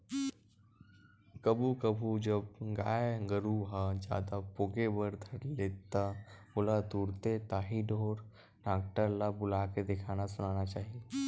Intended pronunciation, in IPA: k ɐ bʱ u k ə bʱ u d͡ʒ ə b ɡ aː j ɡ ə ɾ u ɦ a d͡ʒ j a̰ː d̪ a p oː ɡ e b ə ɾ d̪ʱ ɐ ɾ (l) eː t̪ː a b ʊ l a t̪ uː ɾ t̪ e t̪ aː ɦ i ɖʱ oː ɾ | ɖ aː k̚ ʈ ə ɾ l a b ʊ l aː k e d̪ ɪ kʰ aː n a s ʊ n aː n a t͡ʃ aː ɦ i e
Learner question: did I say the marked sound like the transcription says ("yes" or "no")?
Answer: yes